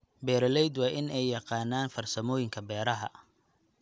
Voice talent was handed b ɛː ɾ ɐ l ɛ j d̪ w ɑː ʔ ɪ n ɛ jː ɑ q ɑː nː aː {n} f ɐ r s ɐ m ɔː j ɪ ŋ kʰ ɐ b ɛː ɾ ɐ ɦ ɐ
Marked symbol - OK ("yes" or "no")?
yes